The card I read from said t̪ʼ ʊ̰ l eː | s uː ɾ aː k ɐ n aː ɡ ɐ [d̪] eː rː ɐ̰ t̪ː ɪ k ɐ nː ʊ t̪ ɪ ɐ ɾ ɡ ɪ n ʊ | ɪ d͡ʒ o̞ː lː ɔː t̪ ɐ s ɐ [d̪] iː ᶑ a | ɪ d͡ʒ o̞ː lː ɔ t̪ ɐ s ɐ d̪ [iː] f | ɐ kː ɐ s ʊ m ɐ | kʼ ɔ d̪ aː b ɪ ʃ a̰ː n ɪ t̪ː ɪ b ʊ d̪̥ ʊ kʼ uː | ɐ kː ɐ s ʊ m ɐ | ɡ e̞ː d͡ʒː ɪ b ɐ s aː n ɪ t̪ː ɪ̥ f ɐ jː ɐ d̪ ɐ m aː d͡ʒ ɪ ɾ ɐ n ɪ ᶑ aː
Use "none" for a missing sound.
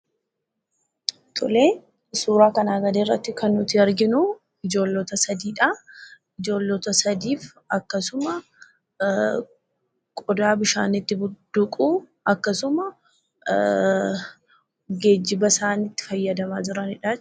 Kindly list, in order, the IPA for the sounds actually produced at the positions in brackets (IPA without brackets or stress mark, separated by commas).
d̪, d̪, iː